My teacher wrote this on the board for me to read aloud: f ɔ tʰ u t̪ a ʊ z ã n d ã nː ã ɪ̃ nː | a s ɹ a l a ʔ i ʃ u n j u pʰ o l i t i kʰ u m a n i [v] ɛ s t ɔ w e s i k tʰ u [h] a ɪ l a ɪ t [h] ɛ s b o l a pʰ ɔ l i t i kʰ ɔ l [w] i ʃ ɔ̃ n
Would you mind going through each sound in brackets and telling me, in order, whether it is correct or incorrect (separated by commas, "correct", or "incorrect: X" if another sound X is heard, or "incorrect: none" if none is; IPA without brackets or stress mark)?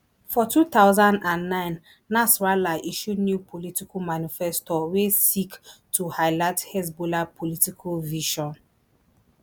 incorrect: f, correct, correct, incorrect: v